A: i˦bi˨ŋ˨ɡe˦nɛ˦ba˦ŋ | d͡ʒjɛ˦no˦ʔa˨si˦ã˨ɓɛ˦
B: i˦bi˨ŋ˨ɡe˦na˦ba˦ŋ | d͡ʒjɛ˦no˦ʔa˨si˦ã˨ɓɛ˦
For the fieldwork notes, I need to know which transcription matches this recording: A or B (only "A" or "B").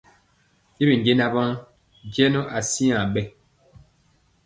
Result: B